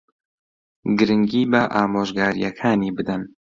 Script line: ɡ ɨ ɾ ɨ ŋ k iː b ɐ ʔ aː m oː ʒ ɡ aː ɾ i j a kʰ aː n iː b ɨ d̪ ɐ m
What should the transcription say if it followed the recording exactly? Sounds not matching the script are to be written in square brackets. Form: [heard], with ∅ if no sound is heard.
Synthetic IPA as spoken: ɡ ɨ ɾ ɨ ŋ [ɡ] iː b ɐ ʔ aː m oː ʒ ɡ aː ɾ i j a kʰ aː n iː b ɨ d̪ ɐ [n]